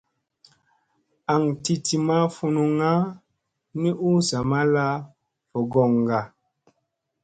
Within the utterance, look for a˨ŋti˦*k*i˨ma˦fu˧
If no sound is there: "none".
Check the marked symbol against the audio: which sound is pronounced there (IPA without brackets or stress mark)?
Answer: t